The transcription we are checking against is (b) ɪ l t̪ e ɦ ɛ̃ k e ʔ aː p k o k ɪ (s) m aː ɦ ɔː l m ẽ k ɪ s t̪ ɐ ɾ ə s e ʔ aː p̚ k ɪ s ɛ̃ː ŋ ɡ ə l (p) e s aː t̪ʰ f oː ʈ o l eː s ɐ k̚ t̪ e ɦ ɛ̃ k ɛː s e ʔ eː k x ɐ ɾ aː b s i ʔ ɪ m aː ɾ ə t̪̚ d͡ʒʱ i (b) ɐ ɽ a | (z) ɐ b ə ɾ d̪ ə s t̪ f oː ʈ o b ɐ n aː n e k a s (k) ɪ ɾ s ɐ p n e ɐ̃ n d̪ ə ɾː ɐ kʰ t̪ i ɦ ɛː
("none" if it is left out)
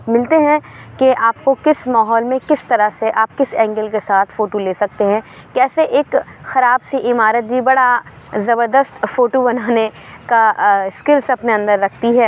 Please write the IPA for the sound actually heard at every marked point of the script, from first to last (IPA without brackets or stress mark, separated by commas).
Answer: m, s, k, b, z, k